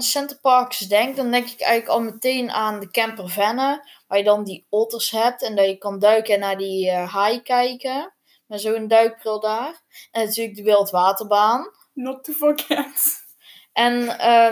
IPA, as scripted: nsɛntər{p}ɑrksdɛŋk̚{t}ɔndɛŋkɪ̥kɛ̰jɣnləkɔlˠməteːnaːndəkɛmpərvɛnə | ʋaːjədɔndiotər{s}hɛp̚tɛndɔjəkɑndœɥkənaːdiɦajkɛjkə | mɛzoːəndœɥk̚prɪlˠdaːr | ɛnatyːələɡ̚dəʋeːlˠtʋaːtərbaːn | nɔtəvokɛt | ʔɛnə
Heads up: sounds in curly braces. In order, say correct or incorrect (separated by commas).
correct, incorrect, correct